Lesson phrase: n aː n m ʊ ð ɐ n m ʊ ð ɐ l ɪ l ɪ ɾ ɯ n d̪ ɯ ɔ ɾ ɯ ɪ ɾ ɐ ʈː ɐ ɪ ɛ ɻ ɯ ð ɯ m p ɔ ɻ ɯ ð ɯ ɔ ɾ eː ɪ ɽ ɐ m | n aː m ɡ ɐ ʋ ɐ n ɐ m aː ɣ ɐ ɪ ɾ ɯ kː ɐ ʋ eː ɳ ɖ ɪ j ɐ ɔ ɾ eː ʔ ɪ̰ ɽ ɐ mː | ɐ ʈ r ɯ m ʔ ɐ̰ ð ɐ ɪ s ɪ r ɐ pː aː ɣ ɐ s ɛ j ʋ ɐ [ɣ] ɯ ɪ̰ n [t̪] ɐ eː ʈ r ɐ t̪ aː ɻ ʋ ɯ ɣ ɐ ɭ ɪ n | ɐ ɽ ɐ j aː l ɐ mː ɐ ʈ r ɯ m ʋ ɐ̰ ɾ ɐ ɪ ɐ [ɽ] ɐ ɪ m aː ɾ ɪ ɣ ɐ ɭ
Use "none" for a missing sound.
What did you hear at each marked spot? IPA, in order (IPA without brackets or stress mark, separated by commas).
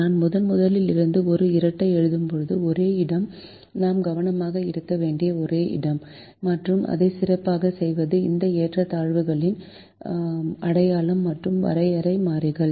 ð, d̪, ɾ